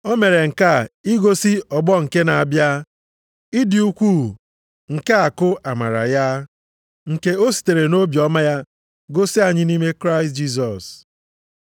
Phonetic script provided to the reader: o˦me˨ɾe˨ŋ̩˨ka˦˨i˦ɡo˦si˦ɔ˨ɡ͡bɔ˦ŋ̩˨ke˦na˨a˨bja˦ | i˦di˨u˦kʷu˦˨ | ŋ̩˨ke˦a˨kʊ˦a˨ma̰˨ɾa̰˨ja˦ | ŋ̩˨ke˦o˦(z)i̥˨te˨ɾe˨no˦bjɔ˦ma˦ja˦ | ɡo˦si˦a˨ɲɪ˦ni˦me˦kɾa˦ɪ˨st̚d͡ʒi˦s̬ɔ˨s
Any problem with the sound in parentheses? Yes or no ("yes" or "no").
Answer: yes